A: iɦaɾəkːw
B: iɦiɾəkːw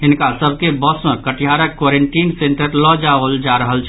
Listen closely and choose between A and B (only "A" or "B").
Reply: A